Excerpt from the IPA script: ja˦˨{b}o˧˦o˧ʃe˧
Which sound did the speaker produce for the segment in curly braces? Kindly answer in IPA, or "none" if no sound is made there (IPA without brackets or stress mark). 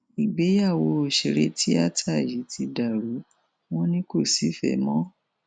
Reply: w